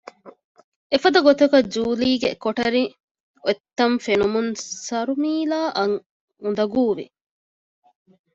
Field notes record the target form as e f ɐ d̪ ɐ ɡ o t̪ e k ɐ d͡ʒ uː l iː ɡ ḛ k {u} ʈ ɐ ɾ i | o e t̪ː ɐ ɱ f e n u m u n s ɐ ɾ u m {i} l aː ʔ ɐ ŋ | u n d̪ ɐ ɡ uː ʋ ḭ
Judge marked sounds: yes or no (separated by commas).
no, no